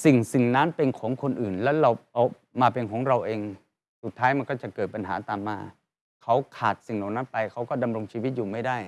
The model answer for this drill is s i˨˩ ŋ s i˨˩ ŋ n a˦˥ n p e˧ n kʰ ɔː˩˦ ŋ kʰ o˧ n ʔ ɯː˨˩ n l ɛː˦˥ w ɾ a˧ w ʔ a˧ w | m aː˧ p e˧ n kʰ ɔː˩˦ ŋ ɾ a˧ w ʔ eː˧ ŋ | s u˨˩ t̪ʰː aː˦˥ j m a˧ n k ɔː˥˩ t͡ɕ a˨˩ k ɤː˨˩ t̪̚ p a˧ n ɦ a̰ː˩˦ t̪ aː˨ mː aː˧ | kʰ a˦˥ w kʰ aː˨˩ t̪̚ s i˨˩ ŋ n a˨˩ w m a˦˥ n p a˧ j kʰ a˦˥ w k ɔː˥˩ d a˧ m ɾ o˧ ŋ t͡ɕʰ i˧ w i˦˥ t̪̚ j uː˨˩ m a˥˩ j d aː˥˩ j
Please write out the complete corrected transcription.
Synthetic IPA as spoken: s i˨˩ ŋ s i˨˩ ŋ n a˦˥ n p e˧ n kʰ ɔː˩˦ ŋ kʰ o˧ n ʔ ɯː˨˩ n l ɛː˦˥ w ɾ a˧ w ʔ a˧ w | m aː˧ p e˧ n kʰ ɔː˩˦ ŋ ɾ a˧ w ʔ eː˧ ŋ | s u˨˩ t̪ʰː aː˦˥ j m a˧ n k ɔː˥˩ t͡ɕ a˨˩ k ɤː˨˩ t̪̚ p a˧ n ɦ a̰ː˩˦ t̪ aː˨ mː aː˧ | kʰ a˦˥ w kʰ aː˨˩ t̪̚ s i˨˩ ŋ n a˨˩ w n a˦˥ n p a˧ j kʰ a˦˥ w k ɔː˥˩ d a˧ m ɾ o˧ ŋ t͡ɕʰ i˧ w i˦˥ t̪̚ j uː˨˩ m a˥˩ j d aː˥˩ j